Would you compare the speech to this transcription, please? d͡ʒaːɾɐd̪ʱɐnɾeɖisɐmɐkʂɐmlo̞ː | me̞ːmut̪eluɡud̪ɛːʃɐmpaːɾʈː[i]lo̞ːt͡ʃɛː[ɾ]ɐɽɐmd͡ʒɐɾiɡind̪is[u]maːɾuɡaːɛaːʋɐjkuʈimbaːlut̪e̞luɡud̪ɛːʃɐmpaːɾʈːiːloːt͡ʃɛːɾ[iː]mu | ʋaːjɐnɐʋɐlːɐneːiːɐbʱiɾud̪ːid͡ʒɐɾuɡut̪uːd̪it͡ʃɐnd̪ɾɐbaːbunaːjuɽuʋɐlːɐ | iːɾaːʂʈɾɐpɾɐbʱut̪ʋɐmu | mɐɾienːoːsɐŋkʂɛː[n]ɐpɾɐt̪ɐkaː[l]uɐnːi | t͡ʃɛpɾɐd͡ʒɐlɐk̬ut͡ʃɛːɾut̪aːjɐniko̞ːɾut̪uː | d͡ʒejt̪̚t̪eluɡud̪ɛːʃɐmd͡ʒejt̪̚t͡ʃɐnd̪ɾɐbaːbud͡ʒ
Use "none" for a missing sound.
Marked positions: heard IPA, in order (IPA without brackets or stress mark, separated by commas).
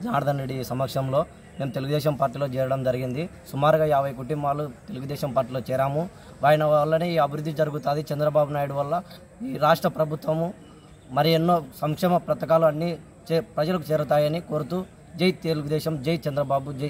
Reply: iː, ɾ, u, aː, m, l